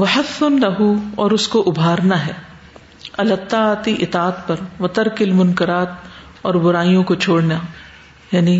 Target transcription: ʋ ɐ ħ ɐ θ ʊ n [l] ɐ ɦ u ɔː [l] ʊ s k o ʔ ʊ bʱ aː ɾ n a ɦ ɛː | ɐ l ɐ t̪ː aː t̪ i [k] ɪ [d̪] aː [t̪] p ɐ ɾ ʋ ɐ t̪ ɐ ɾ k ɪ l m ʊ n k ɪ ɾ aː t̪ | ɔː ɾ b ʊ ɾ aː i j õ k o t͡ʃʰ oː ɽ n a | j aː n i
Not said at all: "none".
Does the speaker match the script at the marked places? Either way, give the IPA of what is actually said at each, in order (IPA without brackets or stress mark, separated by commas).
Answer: l, ɾ, ʔ, t̪, t̪